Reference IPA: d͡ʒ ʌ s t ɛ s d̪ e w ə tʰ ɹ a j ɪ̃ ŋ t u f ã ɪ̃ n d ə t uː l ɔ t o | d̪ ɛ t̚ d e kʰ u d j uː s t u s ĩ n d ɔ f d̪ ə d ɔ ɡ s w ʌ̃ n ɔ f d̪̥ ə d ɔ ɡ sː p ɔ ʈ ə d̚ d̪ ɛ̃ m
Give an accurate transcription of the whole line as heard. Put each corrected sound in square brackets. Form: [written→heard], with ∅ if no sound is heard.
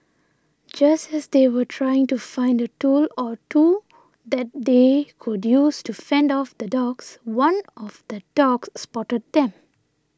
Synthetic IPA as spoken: d͡ʒ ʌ s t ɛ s d̪ e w ə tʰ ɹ a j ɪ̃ ŋ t u f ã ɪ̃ n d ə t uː l ɔ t [o→u] | d̪ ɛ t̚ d e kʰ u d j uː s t u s [ĩ→ɛ̃] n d ɔ f d̪ ə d ɔ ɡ s w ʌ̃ n ɔ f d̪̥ ə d ɔ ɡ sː p ɔ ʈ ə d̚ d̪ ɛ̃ m

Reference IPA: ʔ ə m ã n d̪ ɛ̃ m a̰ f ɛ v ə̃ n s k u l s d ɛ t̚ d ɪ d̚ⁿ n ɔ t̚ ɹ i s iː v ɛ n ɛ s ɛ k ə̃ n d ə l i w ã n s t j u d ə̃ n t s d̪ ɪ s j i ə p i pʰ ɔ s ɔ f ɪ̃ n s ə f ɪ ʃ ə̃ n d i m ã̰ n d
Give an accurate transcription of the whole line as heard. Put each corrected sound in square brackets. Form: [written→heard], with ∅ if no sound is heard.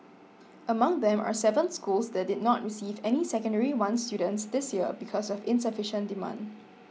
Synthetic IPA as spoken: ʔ ə m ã [n→ŋ] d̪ ɛ̃ m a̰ [f→s] ɛ v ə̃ n s k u l s d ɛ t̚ d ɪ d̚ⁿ n ɔ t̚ ɹ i s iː v ɛ n [ɛ→i] s ɛ k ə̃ n d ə [l→ɹ] i w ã n s t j u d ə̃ n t s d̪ ɪ s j i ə [p→b] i [pʰ→kʰ] ɔ s ɔ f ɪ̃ n s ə f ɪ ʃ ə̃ n d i m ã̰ n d

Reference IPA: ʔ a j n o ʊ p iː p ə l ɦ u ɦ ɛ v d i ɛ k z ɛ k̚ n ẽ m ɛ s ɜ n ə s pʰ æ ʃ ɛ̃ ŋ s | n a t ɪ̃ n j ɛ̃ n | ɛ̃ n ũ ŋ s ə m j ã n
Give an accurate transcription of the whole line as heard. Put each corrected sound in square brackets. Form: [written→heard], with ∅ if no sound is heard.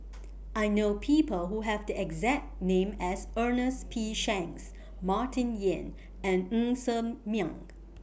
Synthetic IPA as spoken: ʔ a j n o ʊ [p→pʰ] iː p ə l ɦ u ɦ ɛ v d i ɛ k z ɛ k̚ n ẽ m ɛ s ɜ n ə s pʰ [æ→i] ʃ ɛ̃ ŋ s | [n→m] a t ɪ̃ n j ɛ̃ n | ɛ̃ n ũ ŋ s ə m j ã [n→ŋ]

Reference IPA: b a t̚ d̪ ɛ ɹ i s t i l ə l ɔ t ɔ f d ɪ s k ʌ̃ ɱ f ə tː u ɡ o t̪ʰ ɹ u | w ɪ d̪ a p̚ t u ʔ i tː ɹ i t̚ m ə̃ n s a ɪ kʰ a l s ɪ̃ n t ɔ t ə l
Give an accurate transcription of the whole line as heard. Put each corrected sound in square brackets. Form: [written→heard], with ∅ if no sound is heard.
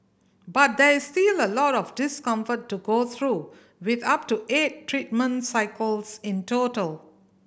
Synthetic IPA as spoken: b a t̚ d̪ ɛ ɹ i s t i l ə l ɔ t ɔ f d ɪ s k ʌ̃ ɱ f ə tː u ɡ o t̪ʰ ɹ u | w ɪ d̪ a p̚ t u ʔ [i→e] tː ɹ i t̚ m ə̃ n s a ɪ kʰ [a→ə] l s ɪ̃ n t [ɔ→o] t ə l

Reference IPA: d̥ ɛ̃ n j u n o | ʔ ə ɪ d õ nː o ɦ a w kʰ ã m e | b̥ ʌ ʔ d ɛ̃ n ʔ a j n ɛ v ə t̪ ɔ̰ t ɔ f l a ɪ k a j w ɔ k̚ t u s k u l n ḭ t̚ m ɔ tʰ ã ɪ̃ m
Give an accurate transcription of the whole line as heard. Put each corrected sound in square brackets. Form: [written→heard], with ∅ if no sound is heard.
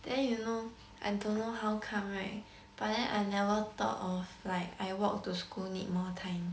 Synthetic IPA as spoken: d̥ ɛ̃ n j u n o | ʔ [ə→a] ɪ d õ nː o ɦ a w kʰ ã m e | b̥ [ʌ→a] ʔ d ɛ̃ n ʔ a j n ɛ v ə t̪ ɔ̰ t ɔ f l a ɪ k a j w ɔ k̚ t u s k u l n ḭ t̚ m ɔ tʰ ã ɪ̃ m

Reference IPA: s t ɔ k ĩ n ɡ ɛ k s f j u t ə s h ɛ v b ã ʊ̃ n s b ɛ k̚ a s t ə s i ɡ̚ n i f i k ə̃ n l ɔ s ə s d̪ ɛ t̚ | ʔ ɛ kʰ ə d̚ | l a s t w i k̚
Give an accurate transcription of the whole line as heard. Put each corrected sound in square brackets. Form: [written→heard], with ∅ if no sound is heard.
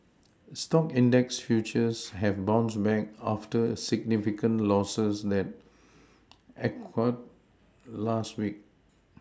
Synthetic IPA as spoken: s t ɔ k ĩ n [ɡ→d] ɛ k s f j u [t→t͡ʃ] ə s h ɛ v b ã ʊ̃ n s b ɛ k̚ a [s→f] t ə s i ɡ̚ n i f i k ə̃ n l ɔ s ə s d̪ ɛ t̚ | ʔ ɛ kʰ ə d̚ | l a s t w i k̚

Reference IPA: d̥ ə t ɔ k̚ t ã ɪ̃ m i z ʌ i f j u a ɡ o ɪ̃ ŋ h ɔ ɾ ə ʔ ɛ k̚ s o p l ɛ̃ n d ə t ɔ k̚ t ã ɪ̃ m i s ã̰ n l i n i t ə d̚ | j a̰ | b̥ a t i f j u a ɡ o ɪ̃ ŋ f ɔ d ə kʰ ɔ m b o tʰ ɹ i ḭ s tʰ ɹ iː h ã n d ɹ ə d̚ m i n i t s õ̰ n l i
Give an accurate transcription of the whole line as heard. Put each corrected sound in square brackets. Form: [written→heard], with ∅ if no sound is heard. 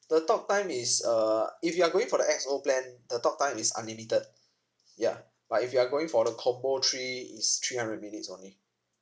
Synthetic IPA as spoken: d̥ ə t ɔ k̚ t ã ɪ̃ m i [z→s] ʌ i f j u a ɡ o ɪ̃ ŋ [h→f] ɔ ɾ ə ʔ ɛ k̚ s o p l ɛ̃ n d ə t ɔ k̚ t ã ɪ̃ m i s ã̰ n l i [n→m] i t ə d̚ | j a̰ | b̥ a t i f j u a ɡ o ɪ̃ ŋ f ɔ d ə kʰ ɔ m b o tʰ ɹ i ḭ s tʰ ɹ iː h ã n d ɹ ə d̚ m i n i t s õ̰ n l i

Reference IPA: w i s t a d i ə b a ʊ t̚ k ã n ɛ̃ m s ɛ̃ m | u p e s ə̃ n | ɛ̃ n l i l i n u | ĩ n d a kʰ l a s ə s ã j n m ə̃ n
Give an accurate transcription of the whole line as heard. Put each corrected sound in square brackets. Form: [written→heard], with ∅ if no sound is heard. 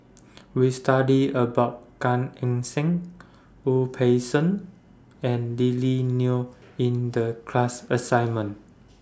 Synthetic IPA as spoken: w i s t a d i ə b a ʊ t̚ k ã n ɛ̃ [m→ŋ] s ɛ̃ [m→ŋ] | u [p→pʰ] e s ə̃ n | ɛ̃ n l i l i n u | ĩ n d [a→ə] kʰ l a s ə s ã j n m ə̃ n

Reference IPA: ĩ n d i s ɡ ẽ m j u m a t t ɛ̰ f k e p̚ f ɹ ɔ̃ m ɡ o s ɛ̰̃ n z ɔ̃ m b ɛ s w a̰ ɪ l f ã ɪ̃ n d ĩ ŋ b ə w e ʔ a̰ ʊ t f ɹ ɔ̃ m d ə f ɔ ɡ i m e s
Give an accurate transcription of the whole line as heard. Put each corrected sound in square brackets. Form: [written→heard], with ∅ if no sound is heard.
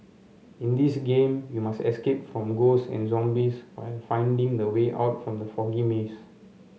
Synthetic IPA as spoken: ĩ n d i s ɡ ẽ m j u m a [t→s] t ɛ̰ [f→s] k e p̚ f ɹ ɔ̃ m ɡ o s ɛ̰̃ n z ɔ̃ m b [ɛ→i] s w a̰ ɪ l f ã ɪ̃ n d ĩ ŋ [b→d] ə w e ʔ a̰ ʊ t f ɹ ɔ̃ m d ə f ɔ ɡ i m e s

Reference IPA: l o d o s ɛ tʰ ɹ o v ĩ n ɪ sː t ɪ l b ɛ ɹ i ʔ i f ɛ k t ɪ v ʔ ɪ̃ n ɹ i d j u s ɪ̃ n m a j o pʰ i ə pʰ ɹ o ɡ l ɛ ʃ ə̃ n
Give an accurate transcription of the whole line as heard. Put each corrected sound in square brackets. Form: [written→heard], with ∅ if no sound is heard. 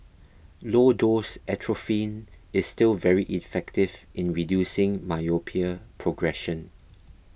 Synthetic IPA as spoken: l o d o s ɛ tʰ ɹ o [v→f] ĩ n ɪ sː t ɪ l [b→v] ɛ ɹ i ʔ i f ɛ k t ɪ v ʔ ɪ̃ n ɹ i d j u s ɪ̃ [n→ŋ] m a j o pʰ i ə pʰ ɹ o ɡ [l→ɹ] ɛ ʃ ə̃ n

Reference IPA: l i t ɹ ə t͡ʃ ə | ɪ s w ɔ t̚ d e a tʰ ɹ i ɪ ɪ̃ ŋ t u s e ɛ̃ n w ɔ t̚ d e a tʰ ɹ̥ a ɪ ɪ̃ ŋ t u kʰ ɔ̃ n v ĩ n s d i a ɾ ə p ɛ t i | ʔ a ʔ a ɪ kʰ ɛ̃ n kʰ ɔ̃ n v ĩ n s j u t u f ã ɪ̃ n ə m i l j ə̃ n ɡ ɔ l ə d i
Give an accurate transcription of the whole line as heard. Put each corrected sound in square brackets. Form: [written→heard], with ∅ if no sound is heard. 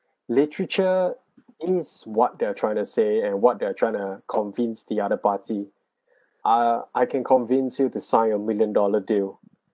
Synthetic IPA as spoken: l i t ɹ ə t͡ʃ ə | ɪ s w ɔ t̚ d e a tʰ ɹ [i→a] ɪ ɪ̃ ŋ t u s e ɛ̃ n w ɔ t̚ d e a tʰ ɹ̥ a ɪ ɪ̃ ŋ t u kʰ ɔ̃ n v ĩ n s d i a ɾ ə p [ɛ→a] t i | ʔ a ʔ a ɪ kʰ ɛ̃ n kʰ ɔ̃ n v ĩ n s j u t u [f→s] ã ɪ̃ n ə m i l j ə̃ n [ɡ→d] ɔ l ə d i

